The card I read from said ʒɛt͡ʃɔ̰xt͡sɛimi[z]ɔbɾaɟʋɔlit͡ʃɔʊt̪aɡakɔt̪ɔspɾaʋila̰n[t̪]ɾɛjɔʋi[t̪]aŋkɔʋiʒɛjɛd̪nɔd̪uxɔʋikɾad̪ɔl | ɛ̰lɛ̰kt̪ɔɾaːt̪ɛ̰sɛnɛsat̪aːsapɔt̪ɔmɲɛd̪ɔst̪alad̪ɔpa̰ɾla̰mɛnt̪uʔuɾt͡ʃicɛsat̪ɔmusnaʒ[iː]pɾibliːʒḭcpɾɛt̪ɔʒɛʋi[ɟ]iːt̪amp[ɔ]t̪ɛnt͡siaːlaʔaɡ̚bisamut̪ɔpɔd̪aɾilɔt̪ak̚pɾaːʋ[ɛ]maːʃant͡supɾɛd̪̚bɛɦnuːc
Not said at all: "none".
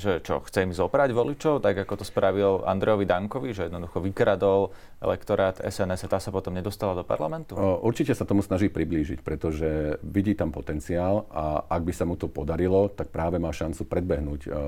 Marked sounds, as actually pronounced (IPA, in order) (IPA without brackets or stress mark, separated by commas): z, d̪, d̪, iː, ɟ, ɔ, ɛ